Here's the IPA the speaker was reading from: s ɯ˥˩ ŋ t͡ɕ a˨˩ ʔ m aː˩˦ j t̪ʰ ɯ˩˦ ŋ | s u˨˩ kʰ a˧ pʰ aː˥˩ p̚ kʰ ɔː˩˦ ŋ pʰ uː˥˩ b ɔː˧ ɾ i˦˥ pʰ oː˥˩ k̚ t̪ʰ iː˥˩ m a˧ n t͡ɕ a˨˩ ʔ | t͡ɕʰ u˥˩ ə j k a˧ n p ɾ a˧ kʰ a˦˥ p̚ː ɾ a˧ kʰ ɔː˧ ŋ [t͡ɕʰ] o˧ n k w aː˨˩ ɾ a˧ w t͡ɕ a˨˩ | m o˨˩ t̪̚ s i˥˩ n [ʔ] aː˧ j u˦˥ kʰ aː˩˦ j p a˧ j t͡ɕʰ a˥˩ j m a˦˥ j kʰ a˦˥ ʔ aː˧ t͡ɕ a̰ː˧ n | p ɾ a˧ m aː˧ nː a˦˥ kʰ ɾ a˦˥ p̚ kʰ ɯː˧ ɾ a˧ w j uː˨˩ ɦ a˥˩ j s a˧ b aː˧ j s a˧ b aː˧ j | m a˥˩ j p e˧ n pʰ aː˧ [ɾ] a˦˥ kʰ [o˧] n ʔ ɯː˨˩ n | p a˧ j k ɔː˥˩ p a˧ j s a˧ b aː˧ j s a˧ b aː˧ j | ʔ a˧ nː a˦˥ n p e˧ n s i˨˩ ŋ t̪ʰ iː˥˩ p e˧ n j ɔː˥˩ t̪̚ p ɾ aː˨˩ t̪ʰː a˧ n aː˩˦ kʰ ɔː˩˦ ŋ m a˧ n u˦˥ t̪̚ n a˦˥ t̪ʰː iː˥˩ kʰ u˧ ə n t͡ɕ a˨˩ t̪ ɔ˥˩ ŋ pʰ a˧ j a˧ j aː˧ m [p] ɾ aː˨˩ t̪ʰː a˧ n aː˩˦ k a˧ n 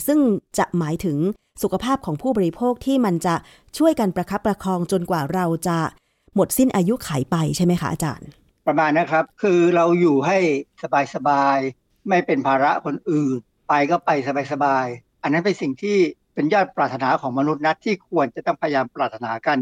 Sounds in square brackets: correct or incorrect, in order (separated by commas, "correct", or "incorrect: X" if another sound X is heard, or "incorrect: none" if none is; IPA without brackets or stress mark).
incorrect: t͡ɕ, correct, correct, correct, correct